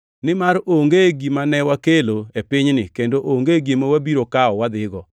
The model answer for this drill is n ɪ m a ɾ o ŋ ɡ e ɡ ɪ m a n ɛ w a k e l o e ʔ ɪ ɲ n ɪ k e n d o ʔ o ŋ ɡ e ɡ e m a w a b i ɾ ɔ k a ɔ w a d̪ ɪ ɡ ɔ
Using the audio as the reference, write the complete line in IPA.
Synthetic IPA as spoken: n ɪ m a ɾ o ŋ ɡ e ɡ i m a n ɛ w a k e l o e p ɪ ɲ n ɪ k e n d o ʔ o ŋ ɡ e ɡ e m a w a b i ɾ o k a ɔ w a d̪ ɪ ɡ ɔ